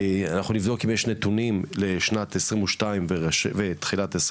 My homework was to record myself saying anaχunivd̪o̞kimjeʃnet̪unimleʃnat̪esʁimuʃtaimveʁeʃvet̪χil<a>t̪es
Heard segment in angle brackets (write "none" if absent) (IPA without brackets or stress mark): a